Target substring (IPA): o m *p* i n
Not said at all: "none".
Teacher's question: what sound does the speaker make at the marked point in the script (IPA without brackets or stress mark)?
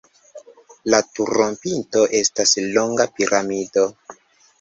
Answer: p